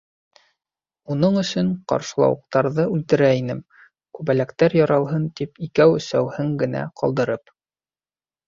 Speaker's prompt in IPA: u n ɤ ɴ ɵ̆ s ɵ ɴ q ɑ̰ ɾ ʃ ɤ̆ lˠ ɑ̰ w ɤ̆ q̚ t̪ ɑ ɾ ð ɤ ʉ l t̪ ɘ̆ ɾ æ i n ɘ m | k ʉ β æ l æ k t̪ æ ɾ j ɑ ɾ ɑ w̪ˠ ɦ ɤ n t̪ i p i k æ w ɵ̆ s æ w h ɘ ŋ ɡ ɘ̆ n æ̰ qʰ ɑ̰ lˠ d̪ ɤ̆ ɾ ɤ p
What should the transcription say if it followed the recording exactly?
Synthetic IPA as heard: u n ɤ ɴ ɵ̆ s ɵ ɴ q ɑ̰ ɾ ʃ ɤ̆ lˠ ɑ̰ w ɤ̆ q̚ t̪ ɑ ɾ ð ɤ ʉ l t̪ ɘ̆ ɾ æ i n ɘ m | k ʉ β æ l æ k t̪ æ ɾ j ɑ ɾ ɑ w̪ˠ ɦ ɤ n t̪ i p i k æ w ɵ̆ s æ w h ɘ ŋ ɡ ɘ̆ n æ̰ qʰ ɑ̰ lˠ d̪ ɤ̆ ɾ ɤ p